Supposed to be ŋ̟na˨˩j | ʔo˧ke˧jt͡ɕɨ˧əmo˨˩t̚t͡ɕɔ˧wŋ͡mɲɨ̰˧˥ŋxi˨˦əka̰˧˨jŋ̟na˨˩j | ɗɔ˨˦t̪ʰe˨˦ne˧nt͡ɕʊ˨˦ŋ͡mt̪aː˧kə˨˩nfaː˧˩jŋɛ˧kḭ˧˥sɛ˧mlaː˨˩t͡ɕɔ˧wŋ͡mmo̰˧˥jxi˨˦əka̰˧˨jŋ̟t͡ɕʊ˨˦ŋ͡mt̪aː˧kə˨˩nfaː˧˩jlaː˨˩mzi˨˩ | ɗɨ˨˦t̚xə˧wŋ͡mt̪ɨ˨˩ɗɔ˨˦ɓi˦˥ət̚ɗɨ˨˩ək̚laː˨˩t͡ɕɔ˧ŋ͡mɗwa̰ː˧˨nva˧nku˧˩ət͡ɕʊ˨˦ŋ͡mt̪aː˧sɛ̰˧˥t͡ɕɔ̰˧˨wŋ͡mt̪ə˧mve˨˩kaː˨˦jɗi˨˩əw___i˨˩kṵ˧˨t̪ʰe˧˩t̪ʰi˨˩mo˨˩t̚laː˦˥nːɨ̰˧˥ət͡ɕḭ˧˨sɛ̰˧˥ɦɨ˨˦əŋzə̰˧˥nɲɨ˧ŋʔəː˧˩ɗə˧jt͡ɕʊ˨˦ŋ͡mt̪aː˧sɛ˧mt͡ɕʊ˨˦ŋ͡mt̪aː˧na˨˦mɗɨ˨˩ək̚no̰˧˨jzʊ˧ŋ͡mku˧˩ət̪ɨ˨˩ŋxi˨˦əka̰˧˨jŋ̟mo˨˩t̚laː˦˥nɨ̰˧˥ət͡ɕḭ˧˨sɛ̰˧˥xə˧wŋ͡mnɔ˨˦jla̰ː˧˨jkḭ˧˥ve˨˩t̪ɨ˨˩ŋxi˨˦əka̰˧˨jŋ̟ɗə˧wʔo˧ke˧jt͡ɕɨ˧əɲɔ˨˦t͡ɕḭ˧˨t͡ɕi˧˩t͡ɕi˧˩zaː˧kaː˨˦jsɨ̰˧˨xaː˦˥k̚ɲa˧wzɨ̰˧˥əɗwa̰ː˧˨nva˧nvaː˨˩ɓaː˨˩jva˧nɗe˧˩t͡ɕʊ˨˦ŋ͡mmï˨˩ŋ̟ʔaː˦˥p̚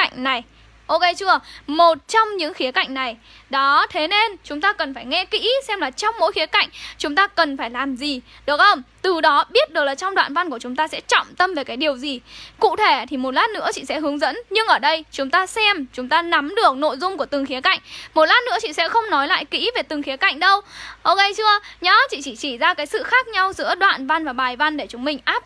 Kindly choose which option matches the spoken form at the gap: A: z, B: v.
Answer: A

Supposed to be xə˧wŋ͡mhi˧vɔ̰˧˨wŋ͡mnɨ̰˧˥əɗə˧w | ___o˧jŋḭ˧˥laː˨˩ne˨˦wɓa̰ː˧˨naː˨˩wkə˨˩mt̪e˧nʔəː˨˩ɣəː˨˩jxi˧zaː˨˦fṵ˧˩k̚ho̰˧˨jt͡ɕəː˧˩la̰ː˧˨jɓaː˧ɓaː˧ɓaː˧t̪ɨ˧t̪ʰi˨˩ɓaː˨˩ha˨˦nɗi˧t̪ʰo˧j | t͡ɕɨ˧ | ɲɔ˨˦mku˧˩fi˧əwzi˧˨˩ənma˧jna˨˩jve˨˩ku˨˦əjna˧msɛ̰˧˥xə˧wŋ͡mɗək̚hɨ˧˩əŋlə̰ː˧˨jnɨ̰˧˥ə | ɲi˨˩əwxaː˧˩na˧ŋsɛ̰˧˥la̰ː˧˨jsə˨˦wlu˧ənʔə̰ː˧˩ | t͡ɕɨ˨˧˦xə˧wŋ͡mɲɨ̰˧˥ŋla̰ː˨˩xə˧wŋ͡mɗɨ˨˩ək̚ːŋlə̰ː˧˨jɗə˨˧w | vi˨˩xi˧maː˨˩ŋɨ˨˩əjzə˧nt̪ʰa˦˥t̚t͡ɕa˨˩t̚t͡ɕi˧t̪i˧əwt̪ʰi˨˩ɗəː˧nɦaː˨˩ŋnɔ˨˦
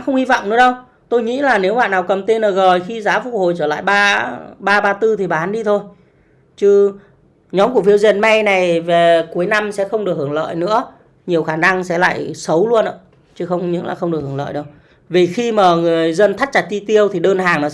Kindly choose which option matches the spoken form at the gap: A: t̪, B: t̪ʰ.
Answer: A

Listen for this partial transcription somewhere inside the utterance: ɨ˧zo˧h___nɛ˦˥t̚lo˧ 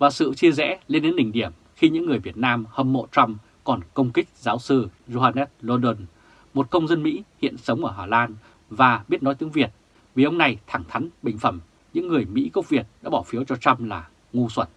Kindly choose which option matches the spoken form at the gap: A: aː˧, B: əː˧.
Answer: A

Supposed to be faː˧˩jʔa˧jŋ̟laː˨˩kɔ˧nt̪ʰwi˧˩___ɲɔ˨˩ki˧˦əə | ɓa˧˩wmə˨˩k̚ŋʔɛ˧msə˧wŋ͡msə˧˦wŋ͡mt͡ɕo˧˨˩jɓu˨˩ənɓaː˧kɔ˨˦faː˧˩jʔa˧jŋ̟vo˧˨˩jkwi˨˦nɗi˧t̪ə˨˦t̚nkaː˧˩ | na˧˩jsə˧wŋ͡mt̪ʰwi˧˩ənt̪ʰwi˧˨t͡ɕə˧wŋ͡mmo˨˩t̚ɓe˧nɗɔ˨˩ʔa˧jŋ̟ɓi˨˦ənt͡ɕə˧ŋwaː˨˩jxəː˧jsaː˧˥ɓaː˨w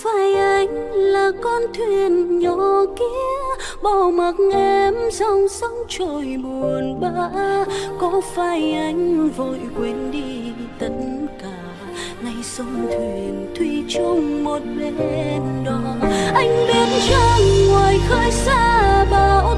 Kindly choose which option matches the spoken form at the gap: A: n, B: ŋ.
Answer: A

